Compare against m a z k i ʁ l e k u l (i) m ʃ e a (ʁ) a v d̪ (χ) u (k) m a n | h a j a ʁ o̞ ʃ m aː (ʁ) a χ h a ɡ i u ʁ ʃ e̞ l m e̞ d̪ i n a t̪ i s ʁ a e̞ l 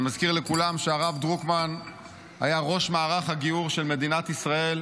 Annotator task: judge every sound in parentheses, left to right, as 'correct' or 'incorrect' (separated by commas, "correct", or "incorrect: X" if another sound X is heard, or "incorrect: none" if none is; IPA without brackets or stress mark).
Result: incorrect: a, correct, incorrect: ʁ, correct, correct